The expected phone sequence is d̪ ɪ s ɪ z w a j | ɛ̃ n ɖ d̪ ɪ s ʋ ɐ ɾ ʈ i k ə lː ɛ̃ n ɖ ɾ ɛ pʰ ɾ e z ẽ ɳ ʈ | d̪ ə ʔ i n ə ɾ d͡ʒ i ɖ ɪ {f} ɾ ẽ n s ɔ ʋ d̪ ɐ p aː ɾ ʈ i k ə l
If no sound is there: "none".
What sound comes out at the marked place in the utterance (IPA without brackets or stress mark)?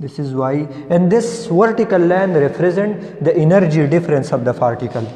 f